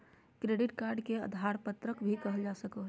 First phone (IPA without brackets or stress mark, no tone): k